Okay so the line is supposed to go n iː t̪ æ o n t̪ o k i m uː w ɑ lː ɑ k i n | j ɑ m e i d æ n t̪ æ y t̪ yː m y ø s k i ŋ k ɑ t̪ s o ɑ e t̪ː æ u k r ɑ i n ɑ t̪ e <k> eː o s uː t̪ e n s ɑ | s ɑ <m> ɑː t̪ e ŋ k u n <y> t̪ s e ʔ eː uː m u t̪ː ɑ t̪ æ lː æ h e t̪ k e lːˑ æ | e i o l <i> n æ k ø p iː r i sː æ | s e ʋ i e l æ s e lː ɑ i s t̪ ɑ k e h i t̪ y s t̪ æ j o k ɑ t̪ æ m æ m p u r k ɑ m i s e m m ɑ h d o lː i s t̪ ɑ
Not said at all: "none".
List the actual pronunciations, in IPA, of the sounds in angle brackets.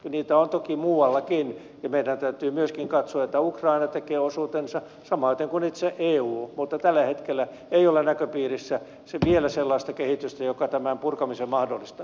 k, m, i, e

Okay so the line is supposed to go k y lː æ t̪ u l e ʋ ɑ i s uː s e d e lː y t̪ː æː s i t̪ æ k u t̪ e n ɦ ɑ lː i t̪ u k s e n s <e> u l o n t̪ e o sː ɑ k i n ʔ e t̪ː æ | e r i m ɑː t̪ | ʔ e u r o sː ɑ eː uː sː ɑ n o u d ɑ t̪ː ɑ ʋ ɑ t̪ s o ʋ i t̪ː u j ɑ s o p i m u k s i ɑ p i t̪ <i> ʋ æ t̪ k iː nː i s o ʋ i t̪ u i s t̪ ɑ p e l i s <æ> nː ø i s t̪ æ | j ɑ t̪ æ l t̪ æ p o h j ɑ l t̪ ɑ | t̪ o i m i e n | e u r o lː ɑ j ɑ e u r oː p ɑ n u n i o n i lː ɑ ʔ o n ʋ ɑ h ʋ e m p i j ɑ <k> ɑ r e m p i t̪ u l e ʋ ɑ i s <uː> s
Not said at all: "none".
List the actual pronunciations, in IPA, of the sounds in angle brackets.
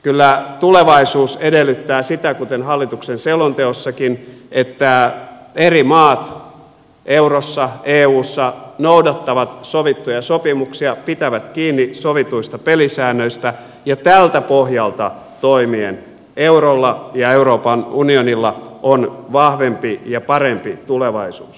e, æ, æː, p, uː

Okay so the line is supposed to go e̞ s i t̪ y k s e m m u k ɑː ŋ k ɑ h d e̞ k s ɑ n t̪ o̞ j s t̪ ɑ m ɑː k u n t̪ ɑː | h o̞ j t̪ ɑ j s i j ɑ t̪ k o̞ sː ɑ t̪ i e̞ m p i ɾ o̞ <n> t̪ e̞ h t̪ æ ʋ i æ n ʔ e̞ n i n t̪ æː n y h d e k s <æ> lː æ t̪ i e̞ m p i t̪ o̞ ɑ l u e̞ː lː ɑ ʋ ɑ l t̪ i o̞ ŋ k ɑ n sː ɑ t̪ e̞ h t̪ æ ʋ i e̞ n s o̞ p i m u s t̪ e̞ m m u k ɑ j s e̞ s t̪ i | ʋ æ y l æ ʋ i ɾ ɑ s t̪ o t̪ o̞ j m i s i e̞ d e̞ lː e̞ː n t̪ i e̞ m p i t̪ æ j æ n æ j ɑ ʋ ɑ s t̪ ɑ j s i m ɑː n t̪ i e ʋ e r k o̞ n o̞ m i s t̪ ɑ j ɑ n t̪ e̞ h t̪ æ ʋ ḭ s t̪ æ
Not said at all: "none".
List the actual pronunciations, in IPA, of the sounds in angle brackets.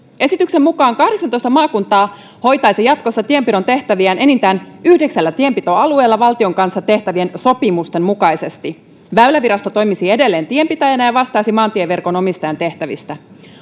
n, æ

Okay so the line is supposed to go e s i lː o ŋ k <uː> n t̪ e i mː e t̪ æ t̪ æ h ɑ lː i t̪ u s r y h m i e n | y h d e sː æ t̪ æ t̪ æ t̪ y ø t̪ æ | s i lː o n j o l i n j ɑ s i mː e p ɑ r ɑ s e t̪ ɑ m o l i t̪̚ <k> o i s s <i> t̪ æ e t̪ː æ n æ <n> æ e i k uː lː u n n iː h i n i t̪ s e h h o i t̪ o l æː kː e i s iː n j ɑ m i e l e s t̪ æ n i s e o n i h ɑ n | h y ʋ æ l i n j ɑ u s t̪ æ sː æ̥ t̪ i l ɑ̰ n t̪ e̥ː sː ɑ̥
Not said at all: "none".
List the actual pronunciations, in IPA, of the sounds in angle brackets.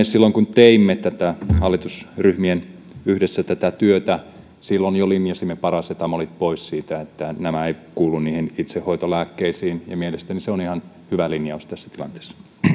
u, p, iː, m

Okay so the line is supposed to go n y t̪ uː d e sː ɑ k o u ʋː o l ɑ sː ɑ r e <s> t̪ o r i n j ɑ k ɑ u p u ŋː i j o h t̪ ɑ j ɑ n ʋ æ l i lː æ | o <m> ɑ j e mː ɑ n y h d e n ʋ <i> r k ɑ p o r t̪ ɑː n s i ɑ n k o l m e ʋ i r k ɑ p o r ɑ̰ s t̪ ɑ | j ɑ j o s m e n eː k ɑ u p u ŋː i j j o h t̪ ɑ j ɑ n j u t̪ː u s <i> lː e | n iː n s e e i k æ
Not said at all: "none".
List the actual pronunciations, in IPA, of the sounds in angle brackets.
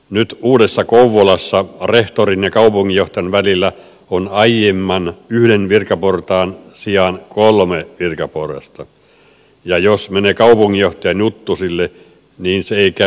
h, n, i, i

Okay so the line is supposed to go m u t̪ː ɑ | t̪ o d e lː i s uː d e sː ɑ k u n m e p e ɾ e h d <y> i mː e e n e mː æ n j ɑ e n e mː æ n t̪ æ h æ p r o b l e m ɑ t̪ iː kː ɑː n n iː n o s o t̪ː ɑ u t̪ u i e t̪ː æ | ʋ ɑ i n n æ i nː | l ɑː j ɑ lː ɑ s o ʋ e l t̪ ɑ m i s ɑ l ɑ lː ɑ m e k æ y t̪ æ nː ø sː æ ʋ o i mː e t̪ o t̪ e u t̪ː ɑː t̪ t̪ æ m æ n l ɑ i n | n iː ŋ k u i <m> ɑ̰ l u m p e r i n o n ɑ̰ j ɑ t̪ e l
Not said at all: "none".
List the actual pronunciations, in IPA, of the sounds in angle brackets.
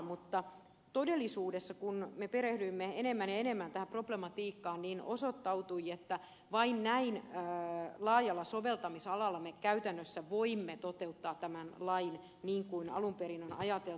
y, n

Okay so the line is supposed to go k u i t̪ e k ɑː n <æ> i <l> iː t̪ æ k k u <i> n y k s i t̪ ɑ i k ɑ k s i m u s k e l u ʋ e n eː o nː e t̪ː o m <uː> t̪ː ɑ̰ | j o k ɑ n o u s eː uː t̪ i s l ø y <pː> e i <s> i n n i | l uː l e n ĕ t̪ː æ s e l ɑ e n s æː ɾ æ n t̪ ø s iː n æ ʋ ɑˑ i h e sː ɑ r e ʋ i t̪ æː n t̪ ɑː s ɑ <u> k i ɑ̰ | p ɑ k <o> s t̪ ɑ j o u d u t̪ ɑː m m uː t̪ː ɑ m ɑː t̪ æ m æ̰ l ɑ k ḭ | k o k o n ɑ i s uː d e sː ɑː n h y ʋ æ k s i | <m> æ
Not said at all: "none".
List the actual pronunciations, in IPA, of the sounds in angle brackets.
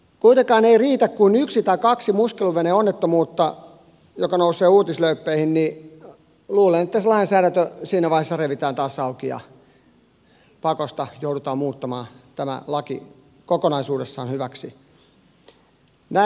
e, r, i, uː, pː, h, u, o, n

